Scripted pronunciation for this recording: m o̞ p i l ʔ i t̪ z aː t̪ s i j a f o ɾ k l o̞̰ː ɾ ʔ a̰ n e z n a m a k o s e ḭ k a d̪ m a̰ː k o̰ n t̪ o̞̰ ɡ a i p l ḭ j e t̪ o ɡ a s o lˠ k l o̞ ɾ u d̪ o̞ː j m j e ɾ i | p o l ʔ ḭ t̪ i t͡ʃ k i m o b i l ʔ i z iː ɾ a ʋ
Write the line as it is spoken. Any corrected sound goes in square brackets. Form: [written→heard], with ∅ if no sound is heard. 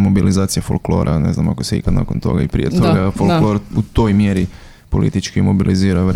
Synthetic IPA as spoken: m o̞ [p→b] i l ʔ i [t̪→∅] z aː t̪ s i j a f o [ɾ→l] k l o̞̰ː ɾ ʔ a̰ n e z n a m a k o s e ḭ k a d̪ [m→n] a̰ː k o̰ n t̪ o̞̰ ɡ a i p [l→ɾ] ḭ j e t̪ o ɡ a [s→f] o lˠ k l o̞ ɾ u [d̪→t̪] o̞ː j m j e ɾ i | p o l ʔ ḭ t̪ i t͡ʃ k i m o b i l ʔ i z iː ɾ a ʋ